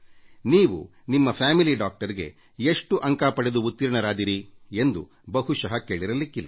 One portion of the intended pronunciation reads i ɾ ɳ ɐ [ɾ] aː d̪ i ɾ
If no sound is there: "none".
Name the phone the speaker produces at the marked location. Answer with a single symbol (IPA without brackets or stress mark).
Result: ɾ